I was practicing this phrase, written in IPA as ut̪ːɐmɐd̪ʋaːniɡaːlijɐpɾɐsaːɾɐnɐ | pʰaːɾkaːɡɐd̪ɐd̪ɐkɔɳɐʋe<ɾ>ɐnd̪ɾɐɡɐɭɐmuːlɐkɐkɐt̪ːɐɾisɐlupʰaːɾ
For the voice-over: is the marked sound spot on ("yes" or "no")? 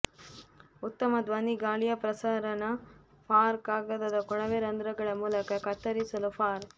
yes